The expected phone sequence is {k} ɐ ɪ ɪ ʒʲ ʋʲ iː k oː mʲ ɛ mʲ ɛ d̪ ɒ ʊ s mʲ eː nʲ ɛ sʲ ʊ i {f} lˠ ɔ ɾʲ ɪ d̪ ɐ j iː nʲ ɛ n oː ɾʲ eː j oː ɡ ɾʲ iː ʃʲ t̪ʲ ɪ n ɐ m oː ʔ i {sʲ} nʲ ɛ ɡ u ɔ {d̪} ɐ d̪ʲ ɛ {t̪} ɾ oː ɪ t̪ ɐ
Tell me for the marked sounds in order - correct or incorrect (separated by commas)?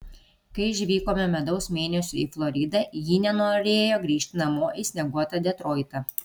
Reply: correct, correct, correct, incorrect, correct